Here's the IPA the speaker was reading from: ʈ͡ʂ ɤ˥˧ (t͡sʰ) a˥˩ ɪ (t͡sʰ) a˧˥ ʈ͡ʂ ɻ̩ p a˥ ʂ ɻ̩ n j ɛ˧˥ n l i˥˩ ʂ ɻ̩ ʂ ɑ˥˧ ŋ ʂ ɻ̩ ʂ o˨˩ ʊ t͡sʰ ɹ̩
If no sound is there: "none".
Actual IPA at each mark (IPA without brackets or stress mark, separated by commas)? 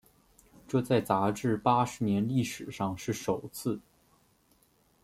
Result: t͡s, t͡s